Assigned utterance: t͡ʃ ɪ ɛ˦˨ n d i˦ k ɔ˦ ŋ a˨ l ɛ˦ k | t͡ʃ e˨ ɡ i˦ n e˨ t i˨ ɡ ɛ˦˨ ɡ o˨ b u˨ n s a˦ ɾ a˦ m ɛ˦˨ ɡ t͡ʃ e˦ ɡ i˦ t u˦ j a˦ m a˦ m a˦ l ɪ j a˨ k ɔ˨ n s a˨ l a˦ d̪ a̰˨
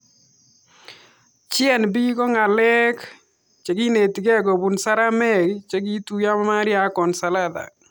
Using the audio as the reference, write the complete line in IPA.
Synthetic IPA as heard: t͡ʃ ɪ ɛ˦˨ n b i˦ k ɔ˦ ŋ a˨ l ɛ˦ k | t͡ʃ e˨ ɡ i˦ n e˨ t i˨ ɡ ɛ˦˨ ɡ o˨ b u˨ n s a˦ ɾ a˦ m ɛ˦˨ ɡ t͡ʃ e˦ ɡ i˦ t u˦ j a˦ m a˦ m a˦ ɾ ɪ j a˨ k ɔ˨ n s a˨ l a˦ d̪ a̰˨